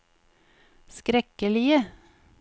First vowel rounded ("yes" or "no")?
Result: no